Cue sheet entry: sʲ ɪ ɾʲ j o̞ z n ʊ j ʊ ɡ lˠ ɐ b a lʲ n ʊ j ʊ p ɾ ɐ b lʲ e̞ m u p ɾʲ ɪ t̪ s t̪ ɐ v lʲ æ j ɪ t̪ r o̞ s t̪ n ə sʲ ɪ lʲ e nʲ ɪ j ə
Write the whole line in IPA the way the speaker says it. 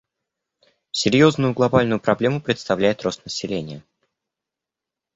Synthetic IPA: sʲ ɪ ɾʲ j o̞ z n ʊ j ʊ ɡ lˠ ɐ b a lʲ n ʊ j ʊ p ɾ ɐ b lʲ e̞ m ʊ p ɾʲ ɪ t̪ s t̪ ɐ v lʲ æ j ɪ t̪ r o̞ s t̪ n ə sʲ ɪ lʲ e nʲ ɪ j ə